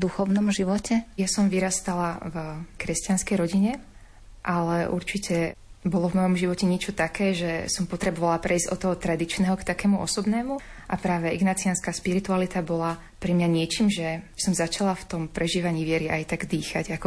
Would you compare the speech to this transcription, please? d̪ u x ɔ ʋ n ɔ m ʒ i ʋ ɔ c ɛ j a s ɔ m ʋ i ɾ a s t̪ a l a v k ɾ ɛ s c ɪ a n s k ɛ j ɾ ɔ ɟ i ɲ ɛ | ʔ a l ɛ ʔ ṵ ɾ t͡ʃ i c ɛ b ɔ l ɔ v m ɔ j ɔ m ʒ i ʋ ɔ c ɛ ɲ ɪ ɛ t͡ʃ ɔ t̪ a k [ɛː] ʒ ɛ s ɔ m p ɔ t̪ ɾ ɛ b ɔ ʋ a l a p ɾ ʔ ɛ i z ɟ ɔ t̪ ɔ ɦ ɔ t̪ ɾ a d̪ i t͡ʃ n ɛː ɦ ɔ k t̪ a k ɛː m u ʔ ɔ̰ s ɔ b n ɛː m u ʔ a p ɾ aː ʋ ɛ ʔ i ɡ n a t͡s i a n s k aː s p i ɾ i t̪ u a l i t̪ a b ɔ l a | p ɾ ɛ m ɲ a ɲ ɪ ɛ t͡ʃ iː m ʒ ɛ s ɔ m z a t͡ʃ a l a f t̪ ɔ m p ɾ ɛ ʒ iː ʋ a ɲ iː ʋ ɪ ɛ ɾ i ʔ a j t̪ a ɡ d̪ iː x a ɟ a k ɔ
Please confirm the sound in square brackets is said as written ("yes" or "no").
yes